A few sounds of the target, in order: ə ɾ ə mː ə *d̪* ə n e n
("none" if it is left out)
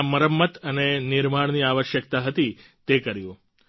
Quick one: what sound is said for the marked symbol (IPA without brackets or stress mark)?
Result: t̪